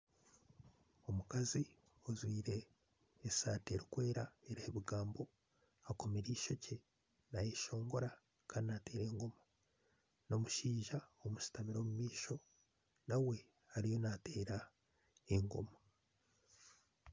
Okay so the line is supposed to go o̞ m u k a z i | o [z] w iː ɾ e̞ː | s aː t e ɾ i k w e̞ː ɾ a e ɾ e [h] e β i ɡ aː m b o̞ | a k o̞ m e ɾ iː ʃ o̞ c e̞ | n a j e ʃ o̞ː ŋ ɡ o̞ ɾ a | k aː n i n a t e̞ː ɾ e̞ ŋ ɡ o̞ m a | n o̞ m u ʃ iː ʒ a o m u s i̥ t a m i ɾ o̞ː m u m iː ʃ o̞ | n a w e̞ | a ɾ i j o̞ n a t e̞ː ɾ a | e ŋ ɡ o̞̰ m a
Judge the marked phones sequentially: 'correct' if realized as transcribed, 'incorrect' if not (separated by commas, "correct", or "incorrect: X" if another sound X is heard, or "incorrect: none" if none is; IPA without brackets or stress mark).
correct, correct